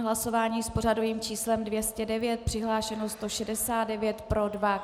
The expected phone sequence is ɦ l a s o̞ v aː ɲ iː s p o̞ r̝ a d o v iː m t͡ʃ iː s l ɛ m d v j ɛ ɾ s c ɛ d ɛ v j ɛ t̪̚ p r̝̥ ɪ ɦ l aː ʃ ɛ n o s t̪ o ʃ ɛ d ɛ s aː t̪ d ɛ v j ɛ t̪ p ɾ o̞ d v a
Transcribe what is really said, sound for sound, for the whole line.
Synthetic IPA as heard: ɦ l a s o̞ v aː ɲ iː s p o̞ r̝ a d o v iː m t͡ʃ iː s l ɛ m d v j ɛ s c ɛ d ɛ v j ɛ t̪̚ p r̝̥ ɪ ɦ l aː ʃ ɛ n o s t̪ o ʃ ɛ d ɛ s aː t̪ d ɛ v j ɛ t̪ p ɾ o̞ d v a